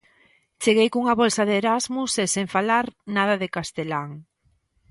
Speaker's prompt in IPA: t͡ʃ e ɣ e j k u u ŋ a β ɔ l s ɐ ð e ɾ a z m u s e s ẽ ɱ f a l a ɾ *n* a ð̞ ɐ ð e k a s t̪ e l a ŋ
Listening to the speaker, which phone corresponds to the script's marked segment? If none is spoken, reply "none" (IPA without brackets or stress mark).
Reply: n